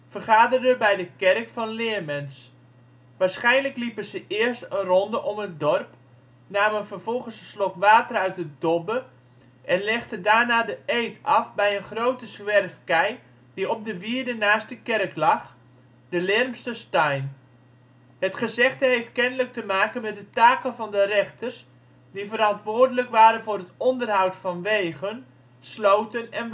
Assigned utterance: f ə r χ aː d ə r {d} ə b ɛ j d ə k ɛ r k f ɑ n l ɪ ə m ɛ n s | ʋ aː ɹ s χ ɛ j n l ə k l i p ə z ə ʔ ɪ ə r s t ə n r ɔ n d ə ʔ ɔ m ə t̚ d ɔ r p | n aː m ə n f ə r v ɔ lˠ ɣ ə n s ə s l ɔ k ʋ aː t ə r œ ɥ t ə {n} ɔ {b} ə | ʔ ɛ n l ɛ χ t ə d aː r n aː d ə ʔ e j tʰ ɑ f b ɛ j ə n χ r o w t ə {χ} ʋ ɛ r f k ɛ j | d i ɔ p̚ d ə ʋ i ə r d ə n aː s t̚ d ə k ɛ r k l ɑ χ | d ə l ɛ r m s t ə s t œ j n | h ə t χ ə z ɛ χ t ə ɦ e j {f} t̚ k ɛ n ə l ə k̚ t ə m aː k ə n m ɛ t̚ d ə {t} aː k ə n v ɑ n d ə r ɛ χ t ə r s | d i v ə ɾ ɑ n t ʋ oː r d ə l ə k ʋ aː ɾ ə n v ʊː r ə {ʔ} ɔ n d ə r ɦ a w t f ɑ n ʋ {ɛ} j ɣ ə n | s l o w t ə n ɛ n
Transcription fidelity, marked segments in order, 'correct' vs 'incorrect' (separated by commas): correct, incorrect, correct, incorrect, correct, correct, incorrect, incorrect